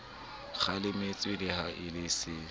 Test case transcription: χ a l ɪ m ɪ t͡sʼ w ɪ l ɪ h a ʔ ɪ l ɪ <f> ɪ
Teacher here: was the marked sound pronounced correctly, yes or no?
no